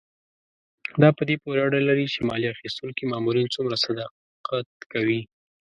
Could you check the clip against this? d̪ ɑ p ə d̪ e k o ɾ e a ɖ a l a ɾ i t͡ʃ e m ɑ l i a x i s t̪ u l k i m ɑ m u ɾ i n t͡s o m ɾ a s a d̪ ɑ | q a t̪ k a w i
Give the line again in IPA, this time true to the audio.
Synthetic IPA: d̪ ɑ p ə d̪ e p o ɾ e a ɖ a l a ɾ i t͡ʃ e m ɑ l i a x i s t̪ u l k i m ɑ m u ɾ i n t͡s u m ɾ a s a d̪ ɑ | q a t̪ k a w i